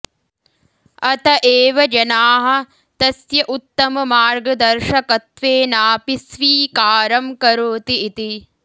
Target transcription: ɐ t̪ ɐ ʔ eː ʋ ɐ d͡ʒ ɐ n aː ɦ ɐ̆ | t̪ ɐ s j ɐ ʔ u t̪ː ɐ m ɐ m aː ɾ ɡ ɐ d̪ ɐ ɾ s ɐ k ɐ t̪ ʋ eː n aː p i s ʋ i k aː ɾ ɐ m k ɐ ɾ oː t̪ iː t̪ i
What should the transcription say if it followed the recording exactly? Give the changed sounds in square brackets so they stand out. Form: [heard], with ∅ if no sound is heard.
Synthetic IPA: ɐ t̪ ɐ ʔ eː ʋ ɐ d͡ʒ ɐ n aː ɦ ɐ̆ | t̪ ɐ s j ɐ ʔ u t̪ː ɐ m ɐ m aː ɾ ɡ ɐ d̪ ɐ ɾ [ʃ] ɐ k ɐ t̪ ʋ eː n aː p i s ʋ [iː] k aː ɾ ɐ m k ɐ ɾ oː t̪ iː t̪ i